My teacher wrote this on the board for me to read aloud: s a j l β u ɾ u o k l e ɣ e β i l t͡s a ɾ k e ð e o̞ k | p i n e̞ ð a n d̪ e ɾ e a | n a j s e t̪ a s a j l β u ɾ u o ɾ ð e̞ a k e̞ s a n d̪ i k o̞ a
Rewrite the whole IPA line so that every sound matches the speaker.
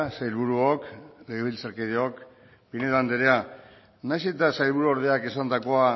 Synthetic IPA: s a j l β u ɾ u o k l e ɣ e β i l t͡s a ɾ k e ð e o̞ k | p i n e̞ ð a n d̪ e ɾ e a | n a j s e t̪ a s a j l β u ɾ u o ɾ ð e̞ a k e̞ s a n d̪ a k o̞ a